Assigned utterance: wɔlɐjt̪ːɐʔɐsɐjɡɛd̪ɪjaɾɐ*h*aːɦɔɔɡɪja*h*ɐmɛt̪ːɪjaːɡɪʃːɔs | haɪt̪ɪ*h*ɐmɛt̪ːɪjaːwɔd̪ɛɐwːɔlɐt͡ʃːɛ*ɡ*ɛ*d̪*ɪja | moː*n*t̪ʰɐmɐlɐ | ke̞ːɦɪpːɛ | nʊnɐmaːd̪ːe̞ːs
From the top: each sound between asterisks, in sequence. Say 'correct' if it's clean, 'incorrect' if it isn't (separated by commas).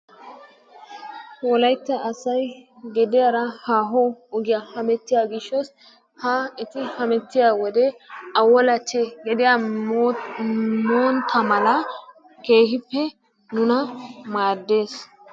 correct, correct, correct, correct, correct, correct